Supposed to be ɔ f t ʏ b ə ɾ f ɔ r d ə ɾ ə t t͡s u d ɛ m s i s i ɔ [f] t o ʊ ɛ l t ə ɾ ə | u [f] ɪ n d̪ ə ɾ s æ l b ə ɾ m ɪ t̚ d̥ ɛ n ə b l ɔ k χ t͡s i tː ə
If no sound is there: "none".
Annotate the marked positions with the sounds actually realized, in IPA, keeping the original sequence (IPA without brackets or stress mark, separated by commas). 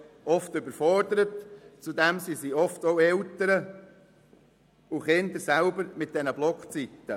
f, χ